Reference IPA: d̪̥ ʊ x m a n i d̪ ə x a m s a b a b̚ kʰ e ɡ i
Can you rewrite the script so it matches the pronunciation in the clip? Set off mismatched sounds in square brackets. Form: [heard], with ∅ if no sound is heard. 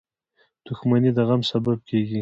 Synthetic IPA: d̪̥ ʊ x m a n i d̪ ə [ɣ] a m s a b a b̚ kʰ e ɡ i